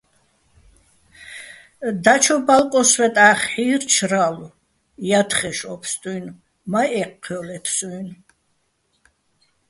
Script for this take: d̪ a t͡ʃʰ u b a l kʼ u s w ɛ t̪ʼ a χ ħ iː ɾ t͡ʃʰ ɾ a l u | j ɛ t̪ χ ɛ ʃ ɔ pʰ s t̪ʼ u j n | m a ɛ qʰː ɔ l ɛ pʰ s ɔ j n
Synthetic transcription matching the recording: d̪ a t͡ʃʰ ɔ b a l kʼ ɔ s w ɛ t̪ʼ a χ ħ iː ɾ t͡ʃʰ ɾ a l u | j a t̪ χ ɛ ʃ ɔ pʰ s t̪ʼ u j n | m a ɛ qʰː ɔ l ɛ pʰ s u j n